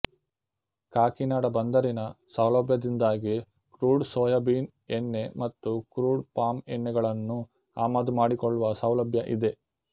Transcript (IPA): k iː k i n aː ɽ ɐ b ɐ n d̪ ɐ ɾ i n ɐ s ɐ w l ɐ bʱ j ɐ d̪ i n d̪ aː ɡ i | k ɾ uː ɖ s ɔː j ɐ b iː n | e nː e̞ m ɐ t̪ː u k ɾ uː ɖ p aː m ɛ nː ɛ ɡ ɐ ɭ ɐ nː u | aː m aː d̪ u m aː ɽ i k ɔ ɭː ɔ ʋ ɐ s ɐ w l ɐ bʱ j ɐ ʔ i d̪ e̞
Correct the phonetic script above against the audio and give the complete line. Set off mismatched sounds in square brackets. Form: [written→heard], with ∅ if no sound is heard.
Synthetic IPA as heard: k [iː→aː] k i n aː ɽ ɐ b ɐ n d̪ ɐ ɾ i n ɐ s ɐ w l ɐ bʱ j ɐ d̪ i n d̪ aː ɡ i | k ɾ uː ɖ s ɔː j ɐ b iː n | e nː e̞ m ɐ t̪ː u k ɾ uː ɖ p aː m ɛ nː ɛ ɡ ɐ ɭ ɐ nː u | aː m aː d̪ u m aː ɽ i k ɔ ɭː [ɔ→u] ʋ ɐ s ɐ w l ɐ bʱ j ɐ ʔ i d̪ e̞